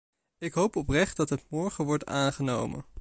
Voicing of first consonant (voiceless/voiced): voiceless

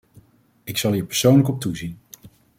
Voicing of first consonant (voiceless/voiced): voiceless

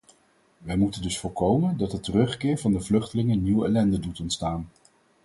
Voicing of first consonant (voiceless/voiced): voiced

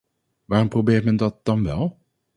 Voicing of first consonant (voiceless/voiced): voiced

